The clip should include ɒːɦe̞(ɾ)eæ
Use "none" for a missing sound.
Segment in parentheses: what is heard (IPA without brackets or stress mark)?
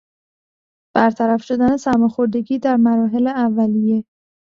l